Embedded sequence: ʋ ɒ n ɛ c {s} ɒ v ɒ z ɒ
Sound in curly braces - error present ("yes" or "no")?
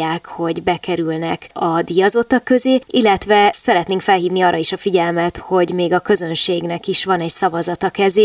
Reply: no